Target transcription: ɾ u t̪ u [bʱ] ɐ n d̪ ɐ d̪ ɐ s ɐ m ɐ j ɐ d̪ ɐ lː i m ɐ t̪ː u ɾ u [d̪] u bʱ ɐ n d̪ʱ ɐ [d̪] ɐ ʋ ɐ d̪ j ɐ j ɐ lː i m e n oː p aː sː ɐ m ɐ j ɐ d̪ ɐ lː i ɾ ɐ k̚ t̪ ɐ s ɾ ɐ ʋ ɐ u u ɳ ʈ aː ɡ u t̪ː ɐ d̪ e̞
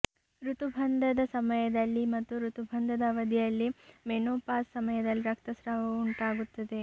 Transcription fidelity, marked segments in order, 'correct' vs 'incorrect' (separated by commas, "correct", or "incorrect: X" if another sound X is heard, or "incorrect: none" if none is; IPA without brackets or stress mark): correct, incorrect: t̪, correct